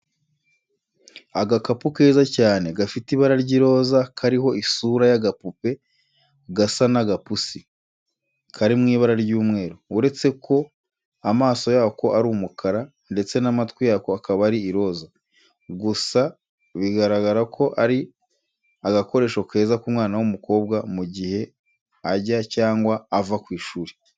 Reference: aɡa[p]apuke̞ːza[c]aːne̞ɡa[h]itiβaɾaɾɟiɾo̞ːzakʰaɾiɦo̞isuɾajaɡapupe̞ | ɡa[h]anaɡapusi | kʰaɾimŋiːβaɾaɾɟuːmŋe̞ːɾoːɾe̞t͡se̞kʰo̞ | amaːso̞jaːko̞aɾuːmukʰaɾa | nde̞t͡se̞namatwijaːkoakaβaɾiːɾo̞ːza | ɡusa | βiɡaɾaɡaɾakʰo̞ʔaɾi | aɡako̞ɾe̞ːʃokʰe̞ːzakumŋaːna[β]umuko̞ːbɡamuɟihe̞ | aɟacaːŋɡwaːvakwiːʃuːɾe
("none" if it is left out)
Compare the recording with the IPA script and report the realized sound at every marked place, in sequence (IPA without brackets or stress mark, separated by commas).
k, c, f, s, w